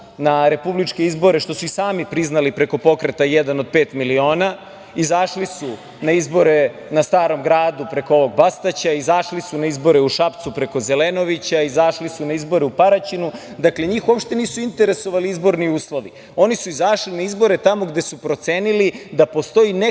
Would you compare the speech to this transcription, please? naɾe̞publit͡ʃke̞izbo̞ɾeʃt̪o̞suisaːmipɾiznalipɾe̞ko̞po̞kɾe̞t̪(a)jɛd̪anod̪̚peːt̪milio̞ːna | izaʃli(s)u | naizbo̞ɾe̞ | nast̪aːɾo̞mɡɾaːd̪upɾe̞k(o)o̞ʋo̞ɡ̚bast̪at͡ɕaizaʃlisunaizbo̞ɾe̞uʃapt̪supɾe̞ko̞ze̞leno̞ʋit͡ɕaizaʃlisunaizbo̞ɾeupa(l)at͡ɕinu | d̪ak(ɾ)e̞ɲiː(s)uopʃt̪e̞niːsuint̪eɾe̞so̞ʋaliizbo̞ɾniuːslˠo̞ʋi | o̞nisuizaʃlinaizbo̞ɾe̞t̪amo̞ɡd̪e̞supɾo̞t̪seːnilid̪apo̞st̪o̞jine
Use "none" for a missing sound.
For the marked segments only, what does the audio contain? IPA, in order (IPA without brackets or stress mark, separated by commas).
a, s, o, ɾ, l, x